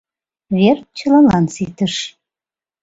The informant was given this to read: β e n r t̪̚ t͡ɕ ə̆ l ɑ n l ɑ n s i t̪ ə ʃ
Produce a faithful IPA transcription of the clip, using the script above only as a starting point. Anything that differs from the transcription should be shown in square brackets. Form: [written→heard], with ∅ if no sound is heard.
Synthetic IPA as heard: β e [n→∅] r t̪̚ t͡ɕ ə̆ l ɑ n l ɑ n s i t̪ ə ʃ